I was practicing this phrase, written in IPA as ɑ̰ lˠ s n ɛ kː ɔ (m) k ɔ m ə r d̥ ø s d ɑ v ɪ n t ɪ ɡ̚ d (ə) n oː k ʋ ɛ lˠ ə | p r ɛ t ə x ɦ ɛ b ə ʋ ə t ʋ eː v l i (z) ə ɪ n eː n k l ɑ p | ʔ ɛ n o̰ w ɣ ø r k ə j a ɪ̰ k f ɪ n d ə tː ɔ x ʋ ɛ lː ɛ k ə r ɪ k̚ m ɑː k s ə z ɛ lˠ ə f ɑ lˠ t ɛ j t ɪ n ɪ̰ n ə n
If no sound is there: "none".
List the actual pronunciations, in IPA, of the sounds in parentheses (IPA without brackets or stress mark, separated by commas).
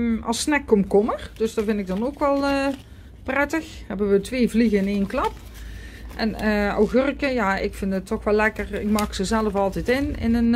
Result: m, ɑ, ɣ